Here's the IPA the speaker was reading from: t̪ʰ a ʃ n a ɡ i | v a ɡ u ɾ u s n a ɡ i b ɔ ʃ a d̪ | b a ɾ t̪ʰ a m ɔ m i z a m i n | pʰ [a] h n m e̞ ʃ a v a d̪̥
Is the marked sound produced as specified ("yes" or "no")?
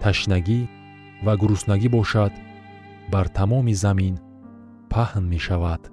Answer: yes